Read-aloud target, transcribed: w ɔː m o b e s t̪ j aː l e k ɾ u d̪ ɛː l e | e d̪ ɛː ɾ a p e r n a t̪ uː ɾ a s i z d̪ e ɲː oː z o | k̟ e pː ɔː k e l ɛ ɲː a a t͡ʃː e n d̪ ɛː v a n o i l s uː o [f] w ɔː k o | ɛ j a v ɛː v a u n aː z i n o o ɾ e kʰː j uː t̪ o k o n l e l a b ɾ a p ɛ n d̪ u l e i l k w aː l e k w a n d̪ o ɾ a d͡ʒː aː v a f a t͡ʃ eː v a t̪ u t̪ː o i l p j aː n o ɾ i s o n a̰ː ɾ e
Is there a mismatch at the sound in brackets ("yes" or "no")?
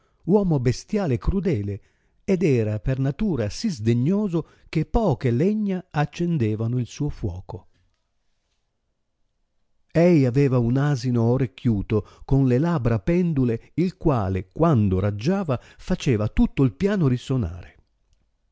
no